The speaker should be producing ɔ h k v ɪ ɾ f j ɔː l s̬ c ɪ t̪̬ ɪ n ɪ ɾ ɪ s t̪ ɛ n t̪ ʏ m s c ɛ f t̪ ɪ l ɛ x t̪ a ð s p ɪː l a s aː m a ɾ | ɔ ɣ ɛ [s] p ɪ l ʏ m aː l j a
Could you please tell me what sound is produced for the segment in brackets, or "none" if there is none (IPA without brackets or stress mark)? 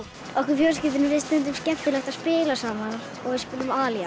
s